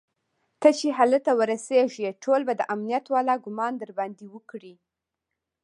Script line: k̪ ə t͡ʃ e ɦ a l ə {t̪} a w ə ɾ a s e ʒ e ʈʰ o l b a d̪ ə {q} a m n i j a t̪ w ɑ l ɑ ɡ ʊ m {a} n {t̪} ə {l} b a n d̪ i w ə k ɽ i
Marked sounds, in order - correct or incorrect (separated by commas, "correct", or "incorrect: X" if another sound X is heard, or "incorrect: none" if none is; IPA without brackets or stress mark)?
correct, incorrect: ʔ, incorrect: ɑ, incorrect: d̪, incorrect: ɾ